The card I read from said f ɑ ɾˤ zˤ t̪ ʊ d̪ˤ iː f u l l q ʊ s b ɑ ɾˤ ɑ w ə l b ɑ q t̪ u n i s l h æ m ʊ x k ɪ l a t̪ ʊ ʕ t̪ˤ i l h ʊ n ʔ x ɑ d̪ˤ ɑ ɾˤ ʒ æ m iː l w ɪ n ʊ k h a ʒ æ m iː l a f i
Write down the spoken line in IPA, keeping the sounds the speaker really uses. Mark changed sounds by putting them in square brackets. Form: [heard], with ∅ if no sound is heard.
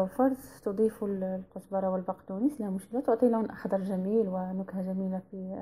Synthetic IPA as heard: f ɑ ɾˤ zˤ t̪ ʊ d̪ˤ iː f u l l q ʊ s b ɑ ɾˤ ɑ w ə l b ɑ q t̪ u n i s l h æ m ʊ [ʃ] k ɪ l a t̪ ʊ ʕ t̪ˤ i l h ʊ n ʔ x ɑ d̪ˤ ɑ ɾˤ ʒ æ m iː l w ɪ n ʊ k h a ʒ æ m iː l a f i

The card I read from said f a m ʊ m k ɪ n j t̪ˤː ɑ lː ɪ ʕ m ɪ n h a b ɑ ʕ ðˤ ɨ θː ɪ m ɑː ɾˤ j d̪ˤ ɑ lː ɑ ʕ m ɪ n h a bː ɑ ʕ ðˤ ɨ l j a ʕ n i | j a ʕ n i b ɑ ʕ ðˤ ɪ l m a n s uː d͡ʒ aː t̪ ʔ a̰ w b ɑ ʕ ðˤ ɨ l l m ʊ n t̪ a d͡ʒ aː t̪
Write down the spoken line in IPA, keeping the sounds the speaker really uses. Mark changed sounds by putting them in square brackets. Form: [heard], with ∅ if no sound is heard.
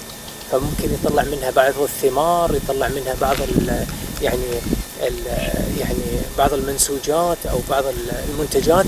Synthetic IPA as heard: f a m ʊ m k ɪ n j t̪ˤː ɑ lː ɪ ʕ m ɪ n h a b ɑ ʕ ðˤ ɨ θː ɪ m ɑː ɾˤ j [t̪ˤ] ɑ lː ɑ ʕ m ɪ n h a [b] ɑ ʕ ðˤ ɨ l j a ʕ n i | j a ʕ n i b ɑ ʕ ðˤ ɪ l m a n s uː d͡ʒ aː t̪ ʔ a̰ w b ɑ ʕ ðˤ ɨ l l m ʊ n t̪ a d͡ʒ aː t̪

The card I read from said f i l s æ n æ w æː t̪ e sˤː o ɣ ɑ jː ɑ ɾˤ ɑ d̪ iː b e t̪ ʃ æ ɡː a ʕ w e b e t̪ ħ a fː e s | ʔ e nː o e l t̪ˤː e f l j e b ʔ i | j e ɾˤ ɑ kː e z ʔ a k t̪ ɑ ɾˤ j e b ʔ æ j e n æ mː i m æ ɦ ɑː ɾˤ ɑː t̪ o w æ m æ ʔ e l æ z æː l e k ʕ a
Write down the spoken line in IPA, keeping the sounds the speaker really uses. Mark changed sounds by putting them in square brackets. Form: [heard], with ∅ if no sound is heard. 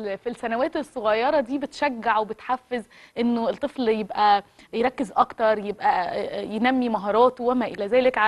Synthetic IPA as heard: f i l s æ n æ w æː t̪ e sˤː o ɣ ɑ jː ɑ ɾˤ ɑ d̪ iː b e t̪ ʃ æ ɡː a ʕ w e b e t̪ ħ a fː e [z] | ʔ e nː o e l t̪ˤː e f l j e b ʔ [æ] | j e ɾˤ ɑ kː e z ʔ [ɑ] k t̪ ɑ ɾˤ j e b ʔ æ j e n æ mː i m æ ɦ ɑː ɾˤ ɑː t̪ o w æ m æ ʔ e l æ z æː l e k ʕ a

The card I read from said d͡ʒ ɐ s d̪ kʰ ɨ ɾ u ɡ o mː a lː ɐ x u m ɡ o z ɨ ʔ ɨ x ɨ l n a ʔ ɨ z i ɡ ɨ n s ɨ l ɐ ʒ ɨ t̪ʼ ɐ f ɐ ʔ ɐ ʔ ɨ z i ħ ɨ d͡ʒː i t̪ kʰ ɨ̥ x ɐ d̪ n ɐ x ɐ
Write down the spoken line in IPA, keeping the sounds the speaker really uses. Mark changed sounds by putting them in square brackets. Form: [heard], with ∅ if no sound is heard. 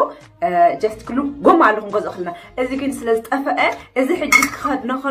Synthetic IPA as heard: d͡ʒ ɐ s [t̪] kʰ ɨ [l] u ɡ o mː a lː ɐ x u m ɡ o z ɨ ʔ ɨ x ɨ l n a ʔ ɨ z i ɡ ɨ n s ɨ l ɐ [z] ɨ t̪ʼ ɐ f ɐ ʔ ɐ ʔ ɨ z i ħ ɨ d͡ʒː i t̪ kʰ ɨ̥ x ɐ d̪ n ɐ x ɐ

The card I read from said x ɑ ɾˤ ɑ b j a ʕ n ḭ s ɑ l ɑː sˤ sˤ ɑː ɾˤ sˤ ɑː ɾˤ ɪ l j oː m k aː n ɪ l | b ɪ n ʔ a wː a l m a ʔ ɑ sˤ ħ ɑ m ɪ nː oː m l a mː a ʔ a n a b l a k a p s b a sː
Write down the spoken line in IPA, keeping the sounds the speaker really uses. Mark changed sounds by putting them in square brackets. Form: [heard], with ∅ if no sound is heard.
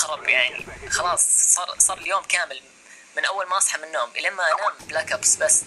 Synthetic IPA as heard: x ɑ ɾˤ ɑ b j a ʕ n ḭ [x] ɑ l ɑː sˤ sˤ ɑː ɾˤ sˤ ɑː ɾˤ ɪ l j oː m k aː [m] ɪ l | [m] ɪ n ʔ a wː a l m a ʔ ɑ sˤ ħ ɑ m ɪ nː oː m l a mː a ʔ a n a b l a k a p s b a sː

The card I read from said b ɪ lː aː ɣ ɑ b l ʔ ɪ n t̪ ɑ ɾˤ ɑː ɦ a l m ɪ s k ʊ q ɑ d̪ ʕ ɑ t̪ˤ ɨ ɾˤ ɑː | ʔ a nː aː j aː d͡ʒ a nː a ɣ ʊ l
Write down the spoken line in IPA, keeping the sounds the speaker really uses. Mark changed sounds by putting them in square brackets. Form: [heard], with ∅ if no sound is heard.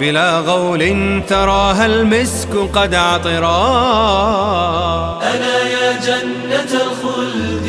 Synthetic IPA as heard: b ɪ [l] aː ɣ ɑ [w] l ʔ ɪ n t̪ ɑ ɾˤ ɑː ɦ a l m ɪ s k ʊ q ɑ d̪ ʕ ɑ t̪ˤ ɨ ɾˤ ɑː | ʔ a [n] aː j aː d͡ʒ a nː a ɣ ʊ l

